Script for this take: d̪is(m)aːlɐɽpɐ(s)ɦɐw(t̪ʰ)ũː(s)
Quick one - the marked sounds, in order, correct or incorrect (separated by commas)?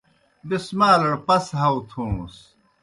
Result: correct, correct, correct, correct